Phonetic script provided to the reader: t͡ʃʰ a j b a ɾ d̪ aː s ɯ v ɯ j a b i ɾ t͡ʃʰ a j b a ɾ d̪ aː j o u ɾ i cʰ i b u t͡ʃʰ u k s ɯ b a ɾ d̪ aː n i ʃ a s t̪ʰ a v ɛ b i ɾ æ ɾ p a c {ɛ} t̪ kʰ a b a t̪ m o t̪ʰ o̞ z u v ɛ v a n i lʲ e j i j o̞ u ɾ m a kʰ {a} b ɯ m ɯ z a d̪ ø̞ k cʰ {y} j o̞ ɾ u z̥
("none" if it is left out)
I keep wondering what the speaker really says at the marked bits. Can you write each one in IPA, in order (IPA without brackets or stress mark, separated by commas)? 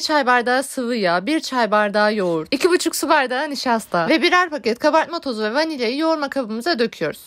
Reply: ɛ, a, y